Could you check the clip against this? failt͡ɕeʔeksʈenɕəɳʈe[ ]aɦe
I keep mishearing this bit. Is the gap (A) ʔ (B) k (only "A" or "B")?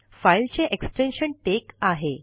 B